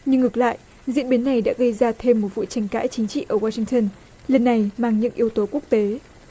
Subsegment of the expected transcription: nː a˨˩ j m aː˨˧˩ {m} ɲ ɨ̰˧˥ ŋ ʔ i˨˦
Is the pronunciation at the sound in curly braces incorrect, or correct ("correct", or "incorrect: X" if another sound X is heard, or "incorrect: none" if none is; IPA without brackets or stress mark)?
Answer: incorrect: ŋ